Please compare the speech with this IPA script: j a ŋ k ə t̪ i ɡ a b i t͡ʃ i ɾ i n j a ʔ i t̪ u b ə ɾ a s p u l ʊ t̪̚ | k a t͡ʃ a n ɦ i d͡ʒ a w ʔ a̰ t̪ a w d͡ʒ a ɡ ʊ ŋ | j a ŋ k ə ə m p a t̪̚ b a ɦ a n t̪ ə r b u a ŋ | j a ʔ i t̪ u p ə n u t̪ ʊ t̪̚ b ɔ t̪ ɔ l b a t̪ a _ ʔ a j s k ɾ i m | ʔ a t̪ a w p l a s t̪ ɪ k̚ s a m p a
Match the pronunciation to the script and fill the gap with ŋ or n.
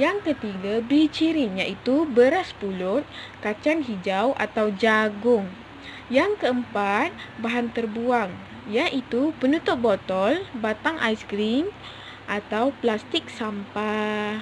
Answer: ŋ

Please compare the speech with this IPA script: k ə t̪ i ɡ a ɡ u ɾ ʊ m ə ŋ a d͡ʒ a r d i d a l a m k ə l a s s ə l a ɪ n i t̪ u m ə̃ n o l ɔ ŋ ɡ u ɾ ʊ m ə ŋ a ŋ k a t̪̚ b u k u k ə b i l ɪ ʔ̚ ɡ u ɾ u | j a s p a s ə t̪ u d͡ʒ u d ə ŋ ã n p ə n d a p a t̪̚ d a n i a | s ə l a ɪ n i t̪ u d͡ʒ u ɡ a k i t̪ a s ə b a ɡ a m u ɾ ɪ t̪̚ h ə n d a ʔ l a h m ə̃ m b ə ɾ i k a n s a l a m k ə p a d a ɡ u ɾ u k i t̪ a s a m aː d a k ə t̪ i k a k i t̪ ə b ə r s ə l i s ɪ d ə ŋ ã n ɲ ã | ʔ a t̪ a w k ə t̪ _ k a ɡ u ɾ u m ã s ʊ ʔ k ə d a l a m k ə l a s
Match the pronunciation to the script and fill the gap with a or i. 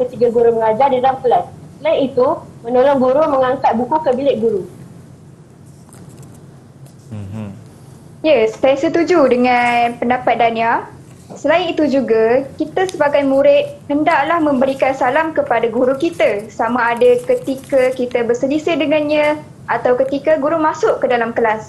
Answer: i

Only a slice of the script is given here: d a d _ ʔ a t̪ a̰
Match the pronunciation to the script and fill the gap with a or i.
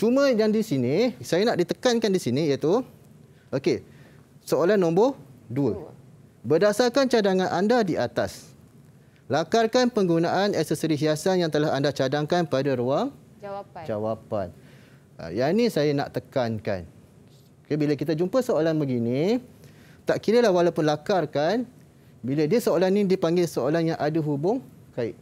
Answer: i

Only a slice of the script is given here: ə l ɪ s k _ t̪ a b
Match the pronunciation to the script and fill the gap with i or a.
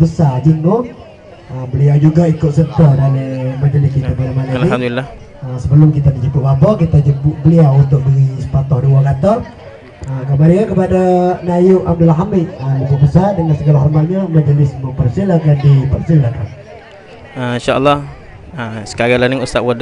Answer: i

